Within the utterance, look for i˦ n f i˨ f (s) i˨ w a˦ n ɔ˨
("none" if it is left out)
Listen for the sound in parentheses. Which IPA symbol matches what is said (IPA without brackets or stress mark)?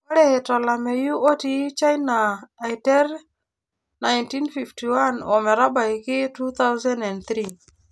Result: t